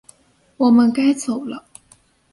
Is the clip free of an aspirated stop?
yes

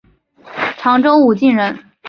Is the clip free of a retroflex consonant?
no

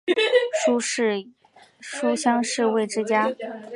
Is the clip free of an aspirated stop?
yes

